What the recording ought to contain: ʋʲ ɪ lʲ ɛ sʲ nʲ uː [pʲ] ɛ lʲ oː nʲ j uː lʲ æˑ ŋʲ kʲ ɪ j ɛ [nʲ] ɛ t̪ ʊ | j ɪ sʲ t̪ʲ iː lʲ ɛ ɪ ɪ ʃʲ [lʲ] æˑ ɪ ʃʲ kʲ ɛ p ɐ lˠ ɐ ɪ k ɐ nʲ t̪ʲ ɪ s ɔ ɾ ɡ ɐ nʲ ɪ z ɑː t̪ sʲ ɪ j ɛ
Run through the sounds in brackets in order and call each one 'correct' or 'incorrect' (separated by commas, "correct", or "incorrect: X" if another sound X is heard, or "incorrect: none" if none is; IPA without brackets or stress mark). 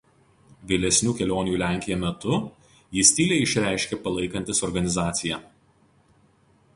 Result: incorrect: kʲ, incorrect: mʲ, incorrect: ɾʲ